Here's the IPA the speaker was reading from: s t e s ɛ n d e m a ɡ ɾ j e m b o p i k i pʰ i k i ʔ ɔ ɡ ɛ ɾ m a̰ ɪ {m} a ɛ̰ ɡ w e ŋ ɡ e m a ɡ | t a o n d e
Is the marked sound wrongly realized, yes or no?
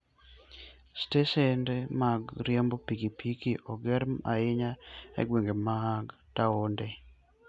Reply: yes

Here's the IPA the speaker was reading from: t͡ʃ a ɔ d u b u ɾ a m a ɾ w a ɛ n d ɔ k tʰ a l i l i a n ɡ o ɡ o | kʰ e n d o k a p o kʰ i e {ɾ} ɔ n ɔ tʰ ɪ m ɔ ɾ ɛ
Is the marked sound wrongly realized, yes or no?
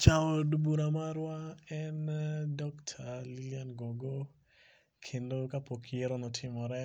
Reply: no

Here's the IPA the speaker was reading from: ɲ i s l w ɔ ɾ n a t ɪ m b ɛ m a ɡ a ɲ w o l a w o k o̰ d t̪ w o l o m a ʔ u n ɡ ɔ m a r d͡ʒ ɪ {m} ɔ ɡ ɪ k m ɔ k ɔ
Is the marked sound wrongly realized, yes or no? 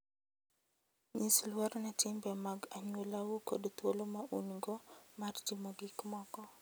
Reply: no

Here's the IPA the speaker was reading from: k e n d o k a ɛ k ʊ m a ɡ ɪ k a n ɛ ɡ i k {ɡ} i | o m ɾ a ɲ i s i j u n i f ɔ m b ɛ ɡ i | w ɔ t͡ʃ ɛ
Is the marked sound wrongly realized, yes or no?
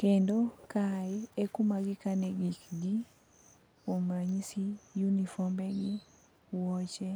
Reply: no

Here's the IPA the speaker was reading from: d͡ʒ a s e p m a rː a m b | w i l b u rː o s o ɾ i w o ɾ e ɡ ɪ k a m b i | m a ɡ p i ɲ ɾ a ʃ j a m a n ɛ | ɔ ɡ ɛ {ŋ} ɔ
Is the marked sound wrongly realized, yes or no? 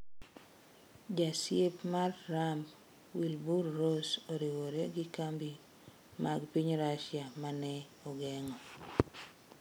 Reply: no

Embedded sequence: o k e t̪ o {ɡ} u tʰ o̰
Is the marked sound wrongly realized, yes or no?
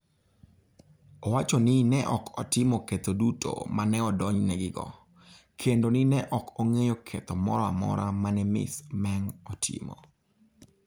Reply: yes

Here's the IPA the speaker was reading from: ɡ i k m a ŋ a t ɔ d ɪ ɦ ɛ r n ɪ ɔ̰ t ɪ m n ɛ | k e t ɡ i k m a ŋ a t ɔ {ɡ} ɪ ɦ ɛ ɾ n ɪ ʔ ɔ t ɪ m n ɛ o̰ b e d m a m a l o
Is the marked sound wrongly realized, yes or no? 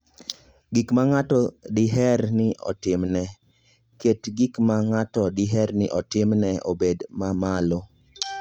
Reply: yes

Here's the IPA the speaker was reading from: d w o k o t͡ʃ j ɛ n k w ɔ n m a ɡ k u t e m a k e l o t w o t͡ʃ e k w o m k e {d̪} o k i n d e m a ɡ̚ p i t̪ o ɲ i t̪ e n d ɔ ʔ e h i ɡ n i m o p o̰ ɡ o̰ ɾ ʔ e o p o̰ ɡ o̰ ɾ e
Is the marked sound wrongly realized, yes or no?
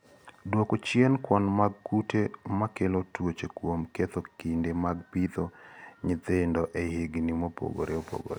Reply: yes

